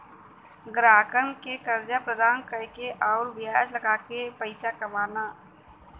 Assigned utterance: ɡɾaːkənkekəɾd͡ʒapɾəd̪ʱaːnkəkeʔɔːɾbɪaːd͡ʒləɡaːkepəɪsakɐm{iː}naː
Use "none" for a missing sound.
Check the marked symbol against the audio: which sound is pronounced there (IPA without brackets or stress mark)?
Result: aː